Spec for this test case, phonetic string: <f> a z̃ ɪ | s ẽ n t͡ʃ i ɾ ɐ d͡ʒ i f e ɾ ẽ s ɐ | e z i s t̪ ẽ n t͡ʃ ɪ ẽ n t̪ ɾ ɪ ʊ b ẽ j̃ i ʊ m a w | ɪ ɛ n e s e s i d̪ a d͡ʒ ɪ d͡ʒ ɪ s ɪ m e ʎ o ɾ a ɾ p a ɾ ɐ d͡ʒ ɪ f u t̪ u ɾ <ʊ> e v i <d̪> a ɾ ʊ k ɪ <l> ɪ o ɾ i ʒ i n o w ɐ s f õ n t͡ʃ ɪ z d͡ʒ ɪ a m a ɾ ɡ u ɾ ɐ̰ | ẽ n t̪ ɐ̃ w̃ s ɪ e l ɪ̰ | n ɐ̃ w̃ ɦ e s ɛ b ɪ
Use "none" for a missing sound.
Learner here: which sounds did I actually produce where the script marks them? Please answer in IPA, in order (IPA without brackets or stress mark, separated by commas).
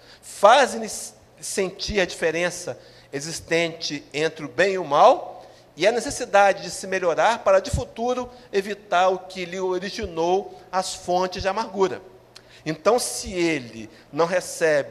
f, ʊ, t̪, l